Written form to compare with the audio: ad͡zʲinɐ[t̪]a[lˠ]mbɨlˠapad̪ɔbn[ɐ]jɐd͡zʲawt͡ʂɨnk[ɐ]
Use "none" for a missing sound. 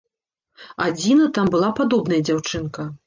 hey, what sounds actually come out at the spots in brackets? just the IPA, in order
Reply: t̪, none, ɐ, ɐ

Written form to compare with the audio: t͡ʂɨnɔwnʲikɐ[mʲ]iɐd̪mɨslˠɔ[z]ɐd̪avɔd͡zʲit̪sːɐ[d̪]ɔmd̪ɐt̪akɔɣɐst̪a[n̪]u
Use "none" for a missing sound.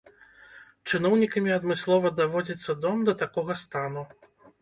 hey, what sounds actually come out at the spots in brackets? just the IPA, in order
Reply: mʲ, v, d̪, n̪

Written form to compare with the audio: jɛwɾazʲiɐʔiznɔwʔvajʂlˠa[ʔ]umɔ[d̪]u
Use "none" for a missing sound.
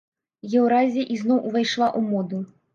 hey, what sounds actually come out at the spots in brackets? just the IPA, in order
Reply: ʔ, d̪

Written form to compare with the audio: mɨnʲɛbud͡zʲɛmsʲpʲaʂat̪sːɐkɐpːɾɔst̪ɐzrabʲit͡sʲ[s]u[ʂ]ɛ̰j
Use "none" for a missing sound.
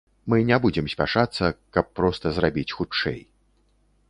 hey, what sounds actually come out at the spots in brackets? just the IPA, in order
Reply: x, t͡ʂ

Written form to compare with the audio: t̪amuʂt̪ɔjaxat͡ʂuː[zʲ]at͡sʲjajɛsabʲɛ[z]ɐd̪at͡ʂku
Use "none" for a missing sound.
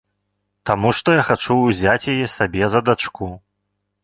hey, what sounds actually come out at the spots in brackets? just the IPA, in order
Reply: zʲ, z

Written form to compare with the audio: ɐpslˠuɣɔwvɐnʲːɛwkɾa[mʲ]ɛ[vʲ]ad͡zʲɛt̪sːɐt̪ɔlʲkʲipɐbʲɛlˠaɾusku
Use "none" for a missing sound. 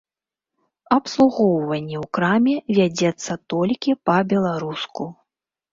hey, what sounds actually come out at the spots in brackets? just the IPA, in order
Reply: mʲ, vʲ

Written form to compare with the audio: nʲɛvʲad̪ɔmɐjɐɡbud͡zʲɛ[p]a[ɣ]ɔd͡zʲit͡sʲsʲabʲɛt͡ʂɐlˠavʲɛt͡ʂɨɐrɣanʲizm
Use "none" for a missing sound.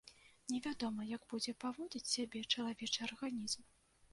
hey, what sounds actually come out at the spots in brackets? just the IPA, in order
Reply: p, v

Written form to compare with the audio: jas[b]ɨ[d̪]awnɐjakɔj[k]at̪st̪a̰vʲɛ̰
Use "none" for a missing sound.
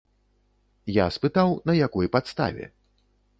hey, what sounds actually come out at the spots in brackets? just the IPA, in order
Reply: p, t̪, p

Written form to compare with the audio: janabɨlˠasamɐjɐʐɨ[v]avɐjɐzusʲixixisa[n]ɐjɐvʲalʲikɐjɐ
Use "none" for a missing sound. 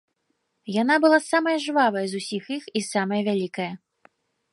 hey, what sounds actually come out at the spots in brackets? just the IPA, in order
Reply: v, m

